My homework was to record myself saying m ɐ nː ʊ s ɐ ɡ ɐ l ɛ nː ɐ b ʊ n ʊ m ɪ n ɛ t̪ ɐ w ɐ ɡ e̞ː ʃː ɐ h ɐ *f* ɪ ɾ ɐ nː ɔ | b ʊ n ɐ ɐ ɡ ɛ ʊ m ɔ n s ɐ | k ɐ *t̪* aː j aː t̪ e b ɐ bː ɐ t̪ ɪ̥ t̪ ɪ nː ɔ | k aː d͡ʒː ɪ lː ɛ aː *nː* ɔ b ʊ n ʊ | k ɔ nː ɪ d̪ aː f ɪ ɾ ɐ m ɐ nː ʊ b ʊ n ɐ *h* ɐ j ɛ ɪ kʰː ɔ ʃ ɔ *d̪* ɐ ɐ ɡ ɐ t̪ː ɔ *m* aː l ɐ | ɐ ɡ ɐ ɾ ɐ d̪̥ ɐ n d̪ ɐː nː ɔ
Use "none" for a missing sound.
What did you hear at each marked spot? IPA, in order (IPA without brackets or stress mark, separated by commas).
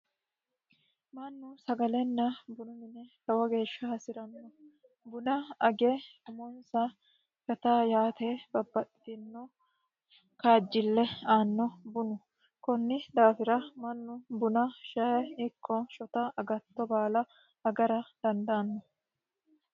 s, t̪, nː, ʃ, t̪, b